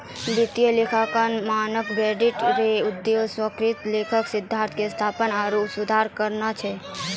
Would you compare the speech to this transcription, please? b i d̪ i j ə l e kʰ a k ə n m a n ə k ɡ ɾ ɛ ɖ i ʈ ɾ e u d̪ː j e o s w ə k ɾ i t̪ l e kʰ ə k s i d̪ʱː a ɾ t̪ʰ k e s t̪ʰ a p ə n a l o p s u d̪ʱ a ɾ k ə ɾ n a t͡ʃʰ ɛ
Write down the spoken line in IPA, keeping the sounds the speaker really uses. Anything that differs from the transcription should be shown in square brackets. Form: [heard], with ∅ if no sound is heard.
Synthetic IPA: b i [t̪] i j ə l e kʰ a k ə n m a n ə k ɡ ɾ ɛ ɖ i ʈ ɾ e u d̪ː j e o s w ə k ɾ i t̪ l e kʰ ə k s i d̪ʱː a ɾ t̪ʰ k e s t̪ʰ a p ə n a [ɾ] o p s u d̪ʱ a ɾ k ə ɾ n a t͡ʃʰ ɛ